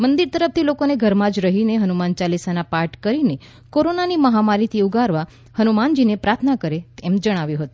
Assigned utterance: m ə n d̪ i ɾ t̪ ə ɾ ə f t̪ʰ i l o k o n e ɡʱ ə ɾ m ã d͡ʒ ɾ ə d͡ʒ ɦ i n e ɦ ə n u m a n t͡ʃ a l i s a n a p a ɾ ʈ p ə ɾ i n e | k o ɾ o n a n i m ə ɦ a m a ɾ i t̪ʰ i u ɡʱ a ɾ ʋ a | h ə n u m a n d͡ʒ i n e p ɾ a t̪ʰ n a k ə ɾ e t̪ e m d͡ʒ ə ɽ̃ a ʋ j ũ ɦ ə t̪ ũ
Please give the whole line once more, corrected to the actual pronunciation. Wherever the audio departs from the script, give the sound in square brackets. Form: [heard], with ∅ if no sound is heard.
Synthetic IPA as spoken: m ə n d̪ i ɾ t̪ ə ɾ ə f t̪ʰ i l o k o n e ɡʱ ə ɾ m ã d͡ʒ ɾ ə [∅] ɦ i n e ɦ ə n u m a n t͡ʃ a l i s a n a p a ɾ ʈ [k] ə ɾ i n e | k o ɾ o n a n i m ə ɦ a m a ɾ i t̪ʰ i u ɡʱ a ɾ ʋ a | h ə n u m a n d͡ʒ i n e p ɾ a t̪ʰ n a k ə ɾ e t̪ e m d͡ʒ ə ɽ̃ a ʋ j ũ ɦ ə t̪ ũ